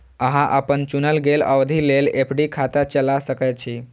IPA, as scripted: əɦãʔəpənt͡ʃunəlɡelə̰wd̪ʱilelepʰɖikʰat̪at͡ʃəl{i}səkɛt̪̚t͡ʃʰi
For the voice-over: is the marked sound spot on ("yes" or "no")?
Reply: no